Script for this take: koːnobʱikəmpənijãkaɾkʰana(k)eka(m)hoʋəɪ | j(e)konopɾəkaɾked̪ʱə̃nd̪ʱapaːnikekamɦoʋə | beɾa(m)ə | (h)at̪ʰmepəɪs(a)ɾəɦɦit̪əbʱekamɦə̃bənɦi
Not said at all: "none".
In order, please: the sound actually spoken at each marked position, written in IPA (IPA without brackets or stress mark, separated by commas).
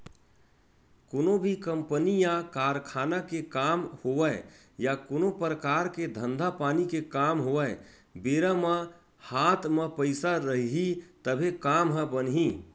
k, m, a, m, h, a